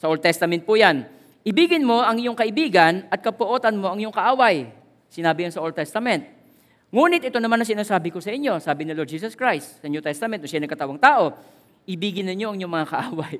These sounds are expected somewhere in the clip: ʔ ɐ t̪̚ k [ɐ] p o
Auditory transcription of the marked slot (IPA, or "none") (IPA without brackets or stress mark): ɐ